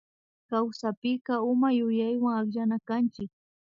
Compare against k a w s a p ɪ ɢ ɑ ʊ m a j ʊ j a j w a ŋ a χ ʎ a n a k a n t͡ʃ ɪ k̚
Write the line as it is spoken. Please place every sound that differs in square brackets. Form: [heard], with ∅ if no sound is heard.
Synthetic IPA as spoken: k a w s a p ɪ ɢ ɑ ʊ m a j ʊ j a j w a ŋ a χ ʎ a n a k a n t͡ʃ ɪ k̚